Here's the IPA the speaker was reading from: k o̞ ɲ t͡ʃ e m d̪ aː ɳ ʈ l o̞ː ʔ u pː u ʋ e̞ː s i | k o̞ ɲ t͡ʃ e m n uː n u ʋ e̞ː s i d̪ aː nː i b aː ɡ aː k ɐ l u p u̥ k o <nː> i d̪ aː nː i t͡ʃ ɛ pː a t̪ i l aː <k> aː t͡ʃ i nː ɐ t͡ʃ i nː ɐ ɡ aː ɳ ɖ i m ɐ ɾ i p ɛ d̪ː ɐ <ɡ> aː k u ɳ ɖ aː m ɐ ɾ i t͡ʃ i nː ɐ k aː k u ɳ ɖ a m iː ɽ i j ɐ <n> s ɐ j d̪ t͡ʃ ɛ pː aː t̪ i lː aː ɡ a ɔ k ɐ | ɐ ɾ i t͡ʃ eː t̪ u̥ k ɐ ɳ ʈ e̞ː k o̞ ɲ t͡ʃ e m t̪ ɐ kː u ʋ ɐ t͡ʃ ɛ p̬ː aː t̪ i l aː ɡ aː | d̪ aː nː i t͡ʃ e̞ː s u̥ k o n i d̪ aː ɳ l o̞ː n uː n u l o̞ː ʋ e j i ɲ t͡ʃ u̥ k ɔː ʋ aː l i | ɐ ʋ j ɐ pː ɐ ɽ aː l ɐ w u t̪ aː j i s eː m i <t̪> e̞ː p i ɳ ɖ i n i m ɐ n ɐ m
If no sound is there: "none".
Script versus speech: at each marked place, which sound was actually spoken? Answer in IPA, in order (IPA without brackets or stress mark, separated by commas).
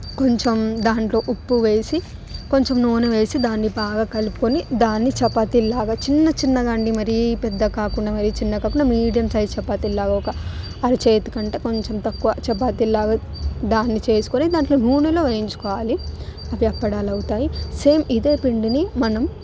n, ɡ, k, m, d̪